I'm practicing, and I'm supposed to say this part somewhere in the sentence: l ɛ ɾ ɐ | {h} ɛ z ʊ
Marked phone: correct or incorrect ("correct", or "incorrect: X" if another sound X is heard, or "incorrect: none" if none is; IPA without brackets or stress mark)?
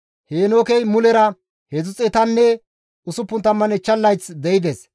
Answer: correct